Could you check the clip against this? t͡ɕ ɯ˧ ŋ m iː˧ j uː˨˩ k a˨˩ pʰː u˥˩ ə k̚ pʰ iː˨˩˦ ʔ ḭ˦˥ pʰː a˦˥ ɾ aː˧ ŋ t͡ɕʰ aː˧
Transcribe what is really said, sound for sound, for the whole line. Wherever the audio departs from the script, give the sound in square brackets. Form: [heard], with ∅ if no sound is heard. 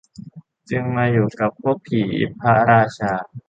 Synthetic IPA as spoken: t͡ɕ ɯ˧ ŋ m [aː˧] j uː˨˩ k a˨˩ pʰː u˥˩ ə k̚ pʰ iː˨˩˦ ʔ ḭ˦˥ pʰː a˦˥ ɾ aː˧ [∅] t͡ɕʰ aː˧